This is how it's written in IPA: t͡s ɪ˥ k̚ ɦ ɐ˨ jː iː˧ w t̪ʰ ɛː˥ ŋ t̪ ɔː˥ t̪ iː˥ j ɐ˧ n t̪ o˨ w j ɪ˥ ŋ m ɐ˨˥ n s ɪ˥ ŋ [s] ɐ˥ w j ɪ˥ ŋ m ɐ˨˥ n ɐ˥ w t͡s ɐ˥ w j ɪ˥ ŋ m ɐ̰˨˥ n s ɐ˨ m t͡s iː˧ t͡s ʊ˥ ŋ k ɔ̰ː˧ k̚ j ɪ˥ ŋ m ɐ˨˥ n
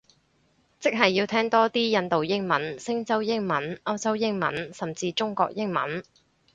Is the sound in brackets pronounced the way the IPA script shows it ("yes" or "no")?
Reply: no